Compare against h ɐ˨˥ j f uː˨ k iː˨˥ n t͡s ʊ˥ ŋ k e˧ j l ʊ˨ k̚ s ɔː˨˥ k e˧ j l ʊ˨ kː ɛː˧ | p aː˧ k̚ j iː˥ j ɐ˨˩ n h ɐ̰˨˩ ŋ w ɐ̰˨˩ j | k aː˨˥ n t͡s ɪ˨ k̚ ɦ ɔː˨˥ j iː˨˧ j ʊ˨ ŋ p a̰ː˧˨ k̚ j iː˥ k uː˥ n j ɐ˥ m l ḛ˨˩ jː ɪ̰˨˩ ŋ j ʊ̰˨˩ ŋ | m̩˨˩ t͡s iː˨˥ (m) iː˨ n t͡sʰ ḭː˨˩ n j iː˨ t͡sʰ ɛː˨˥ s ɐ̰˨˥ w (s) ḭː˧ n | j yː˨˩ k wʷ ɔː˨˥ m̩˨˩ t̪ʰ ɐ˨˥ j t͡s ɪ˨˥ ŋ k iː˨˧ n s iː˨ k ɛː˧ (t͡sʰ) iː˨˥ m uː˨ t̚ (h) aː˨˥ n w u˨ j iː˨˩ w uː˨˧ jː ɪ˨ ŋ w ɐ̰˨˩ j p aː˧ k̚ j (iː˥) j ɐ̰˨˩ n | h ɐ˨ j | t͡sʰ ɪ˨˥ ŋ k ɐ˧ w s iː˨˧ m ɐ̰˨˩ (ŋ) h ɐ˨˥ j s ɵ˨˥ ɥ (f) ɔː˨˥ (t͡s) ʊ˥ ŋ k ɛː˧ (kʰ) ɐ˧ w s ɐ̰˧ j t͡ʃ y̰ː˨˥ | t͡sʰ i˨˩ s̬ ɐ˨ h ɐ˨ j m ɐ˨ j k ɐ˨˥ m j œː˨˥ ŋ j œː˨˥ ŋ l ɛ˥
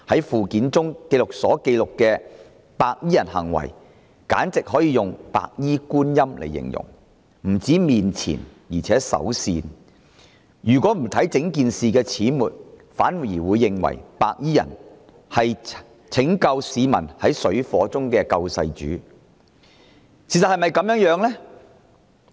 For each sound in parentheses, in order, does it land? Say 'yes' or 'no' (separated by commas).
yes, yes, yes, no, yes, no, yes, yes, no